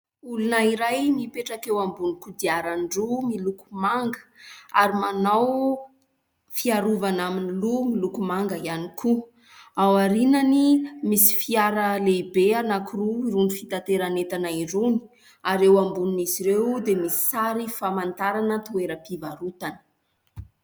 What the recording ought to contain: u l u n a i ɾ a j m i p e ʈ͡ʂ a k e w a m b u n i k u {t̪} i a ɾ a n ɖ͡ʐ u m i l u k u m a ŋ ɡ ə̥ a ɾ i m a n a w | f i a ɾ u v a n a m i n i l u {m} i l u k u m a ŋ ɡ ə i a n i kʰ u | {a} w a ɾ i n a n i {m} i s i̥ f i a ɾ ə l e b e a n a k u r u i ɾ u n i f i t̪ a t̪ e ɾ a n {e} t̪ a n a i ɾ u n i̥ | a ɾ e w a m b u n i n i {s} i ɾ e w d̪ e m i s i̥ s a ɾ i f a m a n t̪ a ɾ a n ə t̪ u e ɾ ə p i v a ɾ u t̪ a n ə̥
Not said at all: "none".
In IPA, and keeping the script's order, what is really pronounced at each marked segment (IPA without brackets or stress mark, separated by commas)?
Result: d̪, m, a, m, e, z